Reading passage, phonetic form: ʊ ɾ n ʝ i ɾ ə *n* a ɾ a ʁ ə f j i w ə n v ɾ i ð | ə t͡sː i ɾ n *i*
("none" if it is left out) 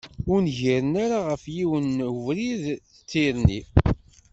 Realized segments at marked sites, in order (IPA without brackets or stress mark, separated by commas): n, i